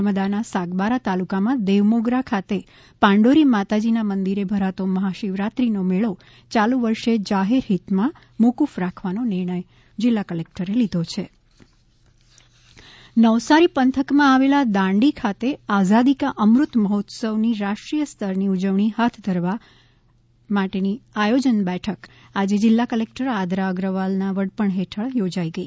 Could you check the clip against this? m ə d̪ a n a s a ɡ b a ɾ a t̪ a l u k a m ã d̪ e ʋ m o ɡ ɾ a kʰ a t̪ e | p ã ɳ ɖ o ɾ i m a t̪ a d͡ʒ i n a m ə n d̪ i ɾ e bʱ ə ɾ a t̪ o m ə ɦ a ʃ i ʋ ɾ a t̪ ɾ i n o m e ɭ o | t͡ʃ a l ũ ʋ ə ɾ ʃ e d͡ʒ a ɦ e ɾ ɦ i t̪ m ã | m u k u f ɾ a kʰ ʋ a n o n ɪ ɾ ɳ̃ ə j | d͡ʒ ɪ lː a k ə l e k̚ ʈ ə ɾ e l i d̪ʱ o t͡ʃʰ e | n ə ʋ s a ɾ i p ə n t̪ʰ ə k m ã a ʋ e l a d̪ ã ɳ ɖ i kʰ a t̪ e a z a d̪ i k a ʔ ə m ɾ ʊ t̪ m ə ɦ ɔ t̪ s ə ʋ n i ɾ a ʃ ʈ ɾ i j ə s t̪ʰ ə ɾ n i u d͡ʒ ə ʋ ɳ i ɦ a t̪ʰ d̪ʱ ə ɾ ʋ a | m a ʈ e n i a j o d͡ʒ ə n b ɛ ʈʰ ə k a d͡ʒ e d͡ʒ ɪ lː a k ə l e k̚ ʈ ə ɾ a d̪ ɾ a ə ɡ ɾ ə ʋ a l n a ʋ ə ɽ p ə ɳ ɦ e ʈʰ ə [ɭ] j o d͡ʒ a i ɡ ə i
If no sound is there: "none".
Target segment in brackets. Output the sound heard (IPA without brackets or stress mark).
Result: ɭ